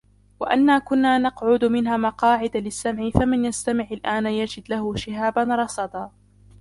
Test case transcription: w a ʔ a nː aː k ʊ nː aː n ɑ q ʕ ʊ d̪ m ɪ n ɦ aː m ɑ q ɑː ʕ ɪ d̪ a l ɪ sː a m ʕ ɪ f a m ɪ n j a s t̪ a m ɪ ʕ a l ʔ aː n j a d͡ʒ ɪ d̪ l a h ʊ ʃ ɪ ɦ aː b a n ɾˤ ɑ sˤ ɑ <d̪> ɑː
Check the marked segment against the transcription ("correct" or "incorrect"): correct